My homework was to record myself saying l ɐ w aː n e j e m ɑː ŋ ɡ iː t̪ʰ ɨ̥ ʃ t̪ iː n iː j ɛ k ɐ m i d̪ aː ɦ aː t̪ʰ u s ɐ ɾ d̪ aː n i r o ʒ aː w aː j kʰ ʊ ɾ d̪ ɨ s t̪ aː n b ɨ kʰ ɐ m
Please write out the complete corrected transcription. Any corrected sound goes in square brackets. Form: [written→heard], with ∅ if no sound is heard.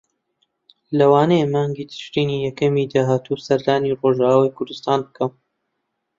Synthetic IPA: l ɐ w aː n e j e m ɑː ŋ ɡ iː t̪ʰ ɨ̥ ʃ t̪ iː n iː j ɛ k ɐ m i d̪ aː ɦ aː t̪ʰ u s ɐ ɾ d̪ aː n i r o ʒ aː w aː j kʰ ʊ ɾ d̪ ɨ s t̪ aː n b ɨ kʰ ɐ m